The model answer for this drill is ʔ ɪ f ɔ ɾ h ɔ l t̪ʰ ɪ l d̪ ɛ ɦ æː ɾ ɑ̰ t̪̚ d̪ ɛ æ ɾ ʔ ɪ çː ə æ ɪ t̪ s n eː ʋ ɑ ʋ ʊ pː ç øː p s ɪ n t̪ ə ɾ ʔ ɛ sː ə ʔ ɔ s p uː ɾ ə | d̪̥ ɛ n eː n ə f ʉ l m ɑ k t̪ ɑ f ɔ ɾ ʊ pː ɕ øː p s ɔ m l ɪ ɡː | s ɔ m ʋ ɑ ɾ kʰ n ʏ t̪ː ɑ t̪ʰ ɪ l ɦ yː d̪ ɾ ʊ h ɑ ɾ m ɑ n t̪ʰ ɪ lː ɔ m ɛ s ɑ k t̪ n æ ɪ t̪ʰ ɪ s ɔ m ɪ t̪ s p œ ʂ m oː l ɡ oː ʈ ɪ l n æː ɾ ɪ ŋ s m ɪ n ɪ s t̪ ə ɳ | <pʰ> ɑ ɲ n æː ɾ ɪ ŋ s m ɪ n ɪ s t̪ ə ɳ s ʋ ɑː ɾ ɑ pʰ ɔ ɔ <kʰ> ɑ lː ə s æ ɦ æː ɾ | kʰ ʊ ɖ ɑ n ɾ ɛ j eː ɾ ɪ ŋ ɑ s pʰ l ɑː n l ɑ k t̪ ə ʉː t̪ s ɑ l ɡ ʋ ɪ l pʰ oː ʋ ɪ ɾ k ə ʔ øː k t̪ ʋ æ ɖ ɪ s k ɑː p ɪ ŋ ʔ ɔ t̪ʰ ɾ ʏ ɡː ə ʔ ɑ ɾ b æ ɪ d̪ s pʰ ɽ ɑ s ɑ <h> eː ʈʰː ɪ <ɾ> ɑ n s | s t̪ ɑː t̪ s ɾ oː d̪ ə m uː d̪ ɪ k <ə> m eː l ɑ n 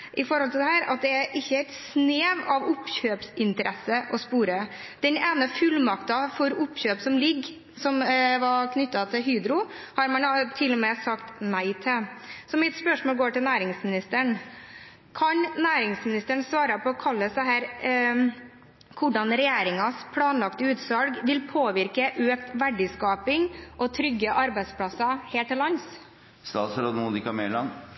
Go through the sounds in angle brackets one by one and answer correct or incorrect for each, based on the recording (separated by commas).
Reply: incorrect, correct, correct, incorrect, incorrect